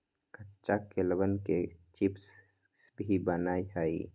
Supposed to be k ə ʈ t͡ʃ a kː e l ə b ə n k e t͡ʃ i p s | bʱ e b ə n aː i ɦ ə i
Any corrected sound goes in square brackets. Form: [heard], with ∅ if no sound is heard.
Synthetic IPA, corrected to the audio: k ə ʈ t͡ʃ a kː e l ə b ə n k e t͡ʃ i p s | bʱ [i] b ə n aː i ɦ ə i

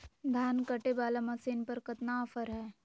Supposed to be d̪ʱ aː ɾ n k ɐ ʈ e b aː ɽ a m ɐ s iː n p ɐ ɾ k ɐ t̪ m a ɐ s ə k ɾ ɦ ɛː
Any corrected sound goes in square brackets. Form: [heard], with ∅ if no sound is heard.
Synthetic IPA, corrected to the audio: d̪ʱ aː [∅] n k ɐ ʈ e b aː [l] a m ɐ s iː n p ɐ ɾ k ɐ t̪ [n] a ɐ [f] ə [∅] ɾ ɦ ɛː

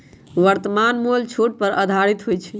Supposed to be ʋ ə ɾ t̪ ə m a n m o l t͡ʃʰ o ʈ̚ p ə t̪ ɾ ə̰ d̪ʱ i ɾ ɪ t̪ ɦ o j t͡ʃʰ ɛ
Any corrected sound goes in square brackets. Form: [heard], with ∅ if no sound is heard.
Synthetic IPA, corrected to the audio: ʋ ə ɾ t̪ ə m a n m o l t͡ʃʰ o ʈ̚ p ə [∅] ɾ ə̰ d̪ʱ [a] ɾ [i] t̪ ɦ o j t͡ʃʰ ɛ

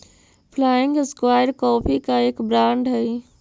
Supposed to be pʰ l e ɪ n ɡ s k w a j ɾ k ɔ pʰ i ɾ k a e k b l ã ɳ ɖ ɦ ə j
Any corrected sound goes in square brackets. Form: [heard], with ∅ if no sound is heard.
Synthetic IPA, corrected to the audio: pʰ l [a] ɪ [ŋ] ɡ s k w a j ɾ k ɔ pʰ i [∅] k a e k b [ɾ] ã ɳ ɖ ɦ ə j

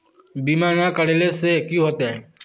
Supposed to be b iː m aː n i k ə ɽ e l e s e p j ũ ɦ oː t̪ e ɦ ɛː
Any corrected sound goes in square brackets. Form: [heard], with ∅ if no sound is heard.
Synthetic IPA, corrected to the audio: b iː m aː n [a] k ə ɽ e l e s e [k] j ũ ɦ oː t̪ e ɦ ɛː

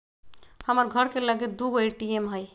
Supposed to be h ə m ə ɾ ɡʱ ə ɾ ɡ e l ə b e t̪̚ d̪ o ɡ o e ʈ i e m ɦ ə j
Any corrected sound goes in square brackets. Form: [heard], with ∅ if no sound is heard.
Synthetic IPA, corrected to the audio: h ə m ə ɾ ɡʱ ə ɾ [k] e l ə [ɡ] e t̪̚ d̪ [u] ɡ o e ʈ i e m ɦ ə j

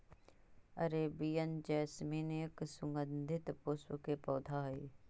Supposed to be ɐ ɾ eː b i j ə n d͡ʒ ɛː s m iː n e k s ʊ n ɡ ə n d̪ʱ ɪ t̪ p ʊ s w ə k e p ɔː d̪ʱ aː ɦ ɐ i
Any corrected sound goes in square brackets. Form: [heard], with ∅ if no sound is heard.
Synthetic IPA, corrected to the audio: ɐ ɾ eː b i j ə n d͡ʒ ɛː s m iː n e k s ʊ [ŋ] ɡ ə n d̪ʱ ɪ t̪ p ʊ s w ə k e p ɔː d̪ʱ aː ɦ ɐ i

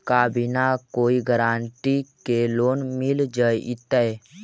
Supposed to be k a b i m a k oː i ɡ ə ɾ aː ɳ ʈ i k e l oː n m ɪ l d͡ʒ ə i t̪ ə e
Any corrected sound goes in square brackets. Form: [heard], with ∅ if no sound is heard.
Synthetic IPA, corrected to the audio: k a b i [n] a k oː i ɡ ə ɾ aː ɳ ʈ i k e l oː n m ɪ l d͡ʒ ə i t̪ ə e

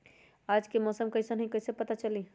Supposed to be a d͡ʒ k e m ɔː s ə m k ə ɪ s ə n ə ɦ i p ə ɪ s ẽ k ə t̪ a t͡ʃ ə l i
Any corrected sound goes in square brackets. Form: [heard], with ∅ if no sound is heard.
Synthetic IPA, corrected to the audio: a d͡ʒ k e m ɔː s ə m k ə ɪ s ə n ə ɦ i [k] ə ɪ s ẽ [p] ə t̪ a t͡ʃ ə l i

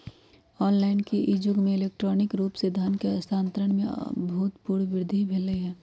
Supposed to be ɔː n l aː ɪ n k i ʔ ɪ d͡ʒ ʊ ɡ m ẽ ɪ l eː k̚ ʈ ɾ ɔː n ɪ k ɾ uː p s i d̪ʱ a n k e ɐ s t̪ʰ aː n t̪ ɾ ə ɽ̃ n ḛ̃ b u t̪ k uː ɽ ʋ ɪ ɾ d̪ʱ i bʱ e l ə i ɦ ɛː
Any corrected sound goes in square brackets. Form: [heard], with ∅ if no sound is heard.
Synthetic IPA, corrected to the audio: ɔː n l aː ɪ n k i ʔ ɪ d͡ʒ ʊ ɡ m ẽ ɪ l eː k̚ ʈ ɾ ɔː n ɪ k ɾ uː p s [e] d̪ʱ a n k e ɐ s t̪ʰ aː n t̪ ɾ ə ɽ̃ [m] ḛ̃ b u t̪ [p] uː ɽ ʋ ɪ ɾ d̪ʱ i bʱ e l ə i ɦ ɛː

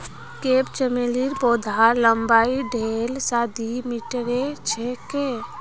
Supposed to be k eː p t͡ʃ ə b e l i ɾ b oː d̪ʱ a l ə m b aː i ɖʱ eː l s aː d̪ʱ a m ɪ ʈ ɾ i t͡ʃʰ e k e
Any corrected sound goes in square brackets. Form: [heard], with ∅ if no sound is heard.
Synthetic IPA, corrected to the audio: k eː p t͡ʃ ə [m] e l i ɾ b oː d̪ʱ a l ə m b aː i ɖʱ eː l s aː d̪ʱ [i] m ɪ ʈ ɾ [e] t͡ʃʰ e k e

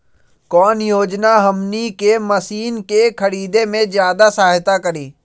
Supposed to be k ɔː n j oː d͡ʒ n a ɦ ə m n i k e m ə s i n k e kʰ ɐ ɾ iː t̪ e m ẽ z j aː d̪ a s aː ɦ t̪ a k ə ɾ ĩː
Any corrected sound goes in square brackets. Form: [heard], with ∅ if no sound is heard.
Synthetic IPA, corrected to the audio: k ɔː n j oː d͡ʒ n a ɦ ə m n i k e m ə s [iː] n k e kʰ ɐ ɾ iː [d̪] e m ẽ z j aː d̪ a s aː ɦ t̪ a k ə ɾ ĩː

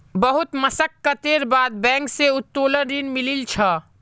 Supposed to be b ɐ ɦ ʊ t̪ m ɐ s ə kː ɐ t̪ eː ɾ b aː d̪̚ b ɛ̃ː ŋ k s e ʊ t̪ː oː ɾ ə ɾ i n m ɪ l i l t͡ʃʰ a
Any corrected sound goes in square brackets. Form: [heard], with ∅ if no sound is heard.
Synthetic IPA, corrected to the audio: b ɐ ɦ ʊ t̪ m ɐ s ə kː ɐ t̪ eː ɾ b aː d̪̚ b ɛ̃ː ŋ k s e ʊ t̪ː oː [l] ə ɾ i n m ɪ l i l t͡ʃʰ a

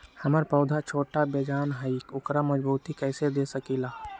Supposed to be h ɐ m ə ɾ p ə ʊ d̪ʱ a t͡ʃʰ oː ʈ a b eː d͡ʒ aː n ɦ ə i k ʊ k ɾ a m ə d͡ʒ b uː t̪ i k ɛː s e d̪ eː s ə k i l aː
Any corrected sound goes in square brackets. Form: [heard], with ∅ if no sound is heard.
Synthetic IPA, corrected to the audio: h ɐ m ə ɾ p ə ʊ d̪ʱ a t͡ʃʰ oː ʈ a b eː d͡ʒ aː n ɦ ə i k ʊ k ɾ a m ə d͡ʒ b uː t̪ i k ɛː s e d̪ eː s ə k i l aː

